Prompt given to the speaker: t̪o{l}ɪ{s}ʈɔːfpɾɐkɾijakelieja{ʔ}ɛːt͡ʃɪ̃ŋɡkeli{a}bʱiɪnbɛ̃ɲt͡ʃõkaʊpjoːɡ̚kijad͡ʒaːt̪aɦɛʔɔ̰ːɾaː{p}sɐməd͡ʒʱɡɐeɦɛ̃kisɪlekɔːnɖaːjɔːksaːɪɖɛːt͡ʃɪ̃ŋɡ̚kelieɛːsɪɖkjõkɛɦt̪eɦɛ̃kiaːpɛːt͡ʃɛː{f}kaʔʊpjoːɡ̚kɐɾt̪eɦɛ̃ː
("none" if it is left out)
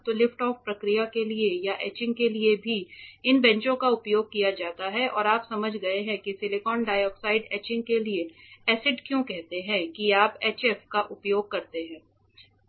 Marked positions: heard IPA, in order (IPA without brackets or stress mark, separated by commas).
l, f, ʔ, e, p, f